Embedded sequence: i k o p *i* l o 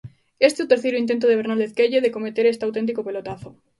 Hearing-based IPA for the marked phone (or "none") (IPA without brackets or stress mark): e